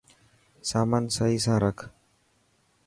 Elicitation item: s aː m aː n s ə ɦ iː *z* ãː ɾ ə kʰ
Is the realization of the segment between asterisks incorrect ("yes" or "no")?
yes